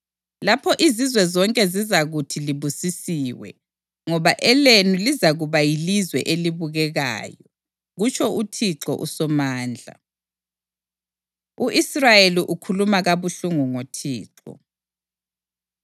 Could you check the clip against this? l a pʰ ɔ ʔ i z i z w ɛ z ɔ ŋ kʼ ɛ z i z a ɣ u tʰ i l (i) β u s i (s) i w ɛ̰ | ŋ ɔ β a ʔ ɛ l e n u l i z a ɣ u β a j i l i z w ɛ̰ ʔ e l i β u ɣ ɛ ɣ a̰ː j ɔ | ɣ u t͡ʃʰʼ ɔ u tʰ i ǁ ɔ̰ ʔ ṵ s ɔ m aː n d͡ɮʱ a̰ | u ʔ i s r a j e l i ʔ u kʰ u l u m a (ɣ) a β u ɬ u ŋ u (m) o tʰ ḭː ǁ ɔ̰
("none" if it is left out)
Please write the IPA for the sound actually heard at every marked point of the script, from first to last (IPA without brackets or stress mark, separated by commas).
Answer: i, s, ɣ, ŋ